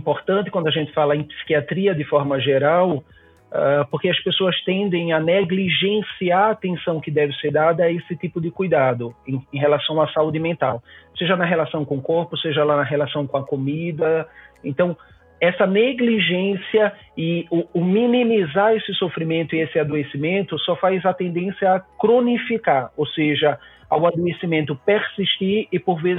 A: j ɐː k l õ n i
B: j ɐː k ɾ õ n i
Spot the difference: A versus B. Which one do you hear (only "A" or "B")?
B